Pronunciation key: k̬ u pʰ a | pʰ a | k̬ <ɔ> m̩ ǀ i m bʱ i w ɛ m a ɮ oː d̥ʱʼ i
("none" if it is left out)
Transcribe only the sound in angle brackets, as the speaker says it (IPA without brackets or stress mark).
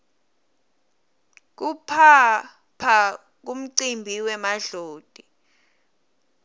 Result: u